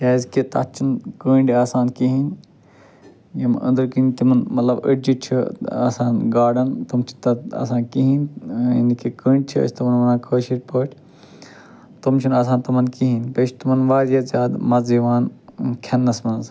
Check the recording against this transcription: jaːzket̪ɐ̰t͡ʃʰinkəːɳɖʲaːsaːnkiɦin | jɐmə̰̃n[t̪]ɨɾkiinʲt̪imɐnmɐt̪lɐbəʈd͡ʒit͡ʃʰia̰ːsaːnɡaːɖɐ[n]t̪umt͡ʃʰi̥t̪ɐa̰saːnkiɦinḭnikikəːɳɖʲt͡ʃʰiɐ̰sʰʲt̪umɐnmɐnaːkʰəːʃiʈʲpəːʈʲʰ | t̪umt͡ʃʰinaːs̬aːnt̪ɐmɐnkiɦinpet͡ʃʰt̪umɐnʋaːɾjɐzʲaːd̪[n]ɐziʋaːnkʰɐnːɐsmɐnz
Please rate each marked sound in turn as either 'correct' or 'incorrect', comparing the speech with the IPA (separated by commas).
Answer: incorrect, correct, incorrect